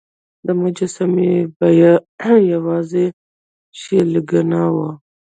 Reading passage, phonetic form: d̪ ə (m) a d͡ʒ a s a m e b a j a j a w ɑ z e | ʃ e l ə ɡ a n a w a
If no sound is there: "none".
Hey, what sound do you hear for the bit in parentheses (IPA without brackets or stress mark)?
m